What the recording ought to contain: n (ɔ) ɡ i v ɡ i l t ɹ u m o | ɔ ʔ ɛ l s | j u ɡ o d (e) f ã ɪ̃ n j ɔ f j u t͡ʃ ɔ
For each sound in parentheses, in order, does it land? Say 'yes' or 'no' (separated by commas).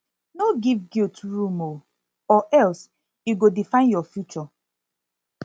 no, no